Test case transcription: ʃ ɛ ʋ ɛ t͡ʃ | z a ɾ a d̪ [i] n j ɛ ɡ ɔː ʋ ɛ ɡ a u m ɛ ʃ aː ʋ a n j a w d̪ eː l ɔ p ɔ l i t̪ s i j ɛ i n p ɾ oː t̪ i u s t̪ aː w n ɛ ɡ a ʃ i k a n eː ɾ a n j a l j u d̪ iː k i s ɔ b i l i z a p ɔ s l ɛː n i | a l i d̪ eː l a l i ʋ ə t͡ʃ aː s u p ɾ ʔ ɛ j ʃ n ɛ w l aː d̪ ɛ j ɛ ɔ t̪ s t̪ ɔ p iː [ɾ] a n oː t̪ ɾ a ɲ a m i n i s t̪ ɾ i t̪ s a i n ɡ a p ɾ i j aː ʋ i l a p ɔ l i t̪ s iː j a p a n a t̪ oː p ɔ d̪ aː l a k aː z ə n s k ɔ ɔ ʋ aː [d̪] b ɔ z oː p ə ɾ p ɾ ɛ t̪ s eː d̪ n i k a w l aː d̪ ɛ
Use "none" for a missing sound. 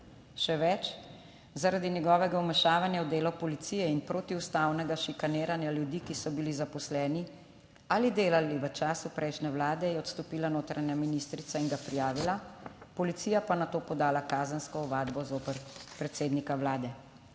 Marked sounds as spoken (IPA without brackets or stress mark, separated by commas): i, l, d̪